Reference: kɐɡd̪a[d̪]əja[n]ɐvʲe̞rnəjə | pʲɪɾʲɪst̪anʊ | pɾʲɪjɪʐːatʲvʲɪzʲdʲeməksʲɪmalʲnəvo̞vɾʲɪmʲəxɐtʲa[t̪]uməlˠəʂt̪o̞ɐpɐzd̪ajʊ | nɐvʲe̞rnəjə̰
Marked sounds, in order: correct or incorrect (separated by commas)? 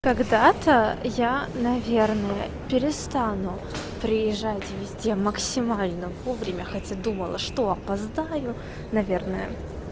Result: incorrect, correct, incorrect